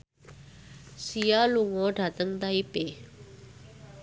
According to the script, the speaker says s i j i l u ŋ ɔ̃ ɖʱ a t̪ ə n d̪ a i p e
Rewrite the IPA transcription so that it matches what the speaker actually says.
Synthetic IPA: s i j a l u ŋ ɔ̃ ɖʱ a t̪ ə ŋ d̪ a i p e